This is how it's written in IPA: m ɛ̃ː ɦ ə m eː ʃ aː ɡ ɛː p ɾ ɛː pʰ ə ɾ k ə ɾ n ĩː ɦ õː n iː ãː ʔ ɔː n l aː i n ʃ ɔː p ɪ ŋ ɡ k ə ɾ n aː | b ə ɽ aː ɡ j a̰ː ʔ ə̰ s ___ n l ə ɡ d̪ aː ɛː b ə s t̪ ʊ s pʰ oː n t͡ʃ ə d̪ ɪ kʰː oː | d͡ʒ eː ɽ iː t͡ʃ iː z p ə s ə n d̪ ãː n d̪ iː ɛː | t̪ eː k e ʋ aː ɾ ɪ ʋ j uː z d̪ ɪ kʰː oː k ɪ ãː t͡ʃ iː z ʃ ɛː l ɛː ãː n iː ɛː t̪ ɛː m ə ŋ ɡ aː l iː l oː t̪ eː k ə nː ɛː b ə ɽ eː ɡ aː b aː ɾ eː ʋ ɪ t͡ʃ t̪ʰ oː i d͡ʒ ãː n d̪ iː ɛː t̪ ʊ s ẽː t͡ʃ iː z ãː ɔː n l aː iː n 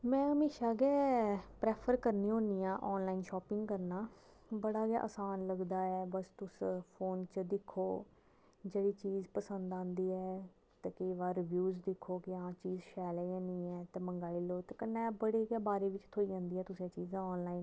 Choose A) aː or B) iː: A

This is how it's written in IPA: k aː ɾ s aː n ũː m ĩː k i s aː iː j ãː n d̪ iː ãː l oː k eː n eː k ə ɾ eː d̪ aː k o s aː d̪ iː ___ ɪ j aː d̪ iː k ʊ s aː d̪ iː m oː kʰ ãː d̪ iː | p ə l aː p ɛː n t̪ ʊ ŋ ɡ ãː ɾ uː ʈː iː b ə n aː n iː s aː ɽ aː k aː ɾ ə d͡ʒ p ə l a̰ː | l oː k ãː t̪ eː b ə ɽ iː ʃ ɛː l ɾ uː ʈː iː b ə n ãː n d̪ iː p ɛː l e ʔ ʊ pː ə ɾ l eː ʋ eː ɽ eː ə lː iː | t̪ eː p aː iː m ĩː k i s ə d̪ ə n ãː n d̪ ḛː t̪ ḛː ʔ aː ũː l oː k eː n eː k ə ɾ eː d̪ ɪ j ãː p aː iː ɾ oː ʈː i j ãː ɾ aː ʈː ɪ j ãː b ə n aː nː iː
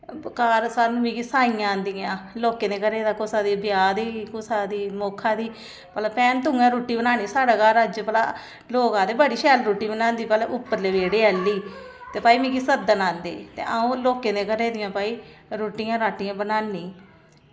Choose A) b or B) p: A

